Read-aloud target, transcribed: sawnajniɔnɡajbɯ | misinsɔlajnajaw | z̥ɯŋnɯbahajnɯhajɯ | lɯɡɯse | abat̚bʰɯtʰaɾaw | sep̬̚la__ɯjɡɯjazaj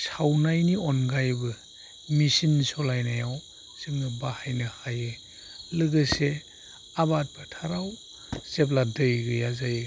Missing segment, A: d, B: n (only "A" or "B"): A